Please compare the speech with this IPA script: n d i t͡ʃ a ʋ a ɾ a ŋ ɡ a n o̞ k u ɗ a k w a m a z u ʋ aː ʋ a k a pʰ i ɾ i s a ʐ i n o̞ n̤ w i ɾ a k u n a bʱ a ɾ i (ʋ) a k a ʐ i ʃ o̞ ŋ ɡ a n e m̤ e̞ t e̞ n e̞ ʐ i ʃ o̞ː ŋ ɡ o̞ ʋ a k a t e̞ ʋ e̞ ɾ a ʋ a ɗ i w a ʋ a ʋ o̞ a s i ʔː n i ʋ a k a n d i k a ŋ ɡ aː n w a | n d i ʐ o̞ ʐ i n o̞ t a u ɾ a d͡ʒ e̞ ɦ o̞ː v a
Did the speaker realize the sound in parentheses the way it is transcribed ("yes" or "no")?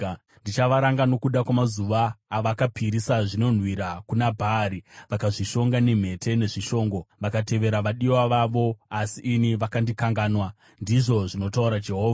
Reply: yes